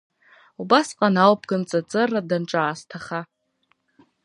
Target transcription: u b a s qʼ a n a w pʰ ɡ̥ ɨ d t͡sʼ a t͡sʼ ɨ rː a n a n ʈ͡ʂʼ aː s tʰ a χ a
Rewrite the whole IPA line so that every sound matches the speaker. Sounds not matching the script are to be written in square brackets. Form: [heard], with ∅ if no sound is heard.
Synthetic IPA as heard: u b a s qʼ a n a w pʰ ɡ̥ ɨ [n] t͡sʼ a t͡sʼ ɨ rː a [d] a n ʈ͡ʂʼ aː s tʰ a χ a